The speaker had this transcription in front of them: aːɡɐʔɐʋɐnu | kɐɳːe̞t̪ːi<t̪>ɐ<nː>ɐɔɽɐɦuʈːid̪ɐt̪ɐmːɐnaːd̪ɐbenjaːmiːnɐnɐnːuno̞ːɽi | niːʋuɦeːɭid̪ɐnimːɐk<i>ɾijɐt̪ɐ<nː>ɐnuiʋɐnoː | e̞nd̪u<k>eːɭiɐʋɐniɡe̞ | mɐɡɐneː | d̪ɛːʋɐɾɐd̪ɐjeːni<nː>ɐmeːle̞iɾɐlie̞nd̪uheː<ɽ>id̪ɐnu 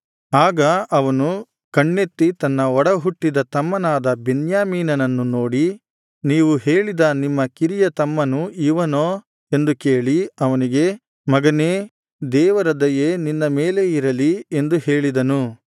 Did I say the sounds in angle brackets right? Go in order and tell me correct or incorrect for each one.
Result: correct, correct, correct, incorrect, correct, correct, incorrect

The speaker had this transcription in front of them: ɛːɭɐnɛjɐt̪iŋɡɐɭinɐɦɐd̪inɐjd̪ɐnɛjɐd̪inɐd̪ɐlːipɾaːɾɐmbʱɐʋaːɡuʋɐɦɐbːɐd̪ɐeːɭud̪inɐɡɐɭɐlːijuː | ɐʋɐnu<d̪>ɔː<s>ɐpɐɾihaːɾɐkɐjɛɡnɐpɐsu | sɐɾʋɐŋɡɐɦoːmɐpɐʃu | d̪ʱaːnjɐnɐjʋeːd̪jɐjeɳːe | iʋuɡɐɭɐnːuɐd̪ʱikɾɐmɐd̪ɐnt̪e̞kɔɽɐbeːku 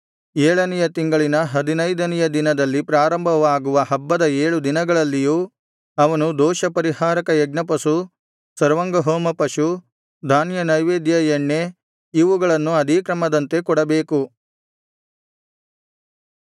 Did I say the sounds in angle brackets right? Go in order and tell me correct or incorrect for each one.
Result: correct, incorrect

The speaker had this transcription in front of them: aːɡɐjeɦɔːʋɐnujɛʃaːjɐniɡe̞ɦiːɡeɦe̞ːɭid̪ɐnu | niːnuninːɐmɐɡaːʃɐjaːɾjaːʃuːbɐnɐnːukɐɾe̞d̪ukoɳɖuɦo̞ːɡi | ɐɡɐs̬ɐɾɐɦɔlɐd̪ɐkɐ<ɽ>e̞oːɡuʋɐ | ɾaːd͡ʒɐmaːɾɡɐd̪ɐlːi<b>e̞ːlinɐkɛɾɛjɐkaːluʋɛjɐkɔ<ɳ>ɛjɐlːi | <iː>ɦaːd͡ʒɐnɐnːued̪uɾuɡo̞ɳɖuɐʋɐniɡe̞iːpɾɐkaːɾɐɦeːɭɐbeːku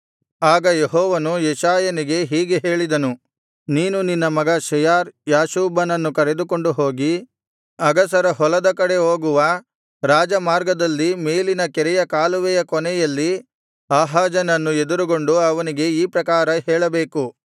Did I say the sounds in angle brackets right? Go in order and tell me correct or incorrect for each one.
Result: correct, incorrect, incorrect, incorrect

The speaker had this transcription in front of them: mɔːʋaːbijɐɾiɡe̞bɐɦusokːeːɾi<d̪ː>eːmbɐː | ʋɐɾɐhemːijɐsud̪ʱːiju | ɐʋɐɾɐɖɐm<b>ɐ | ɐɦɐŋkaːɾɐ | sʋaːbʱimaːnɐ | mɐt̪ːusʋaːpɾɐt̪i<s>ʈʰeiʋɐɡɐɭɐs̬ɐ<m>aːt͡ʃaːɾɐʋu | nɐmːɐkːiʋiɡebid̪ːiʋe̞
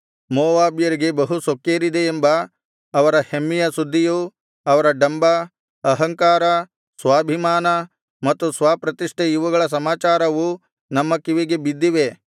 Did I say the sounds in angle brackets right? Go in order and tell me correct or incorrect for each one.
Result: incorrect, correct, incorrect, correct

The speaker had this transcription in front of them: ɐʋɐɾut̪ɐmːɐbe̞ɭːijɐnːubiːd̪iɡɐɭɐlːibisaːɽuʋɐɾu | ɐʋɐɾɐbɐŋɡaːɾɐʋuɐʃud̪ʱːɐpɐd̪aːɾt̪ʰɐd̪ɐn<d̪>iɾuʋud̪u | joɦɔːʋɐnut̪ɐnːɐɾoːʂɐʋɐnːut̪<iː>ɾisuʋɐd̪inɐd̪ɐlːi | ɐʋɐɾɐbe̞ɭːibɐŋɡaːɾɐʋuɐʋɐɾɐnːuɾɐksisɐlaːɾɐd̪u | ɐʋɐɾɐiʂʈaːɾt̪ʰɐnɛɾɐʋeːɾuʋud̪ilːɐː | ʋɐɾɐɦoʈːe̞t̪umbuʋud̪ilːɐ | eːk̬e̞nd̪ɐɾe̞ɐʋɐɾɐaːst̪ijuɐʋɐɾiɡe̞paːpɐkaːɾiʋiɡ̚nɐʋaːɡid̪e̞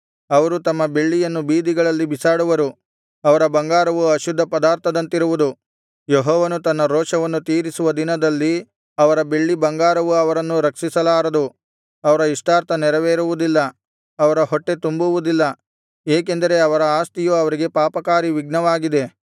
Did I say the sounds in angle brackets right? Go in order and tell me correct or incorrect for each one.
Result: incorrect, correct

